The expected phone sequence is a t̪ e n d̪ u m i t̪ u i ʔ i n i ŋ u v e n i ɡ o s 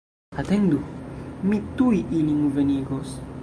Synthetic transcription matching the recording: a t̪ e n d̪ u m i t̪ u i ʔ i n i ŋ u v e n i ɡ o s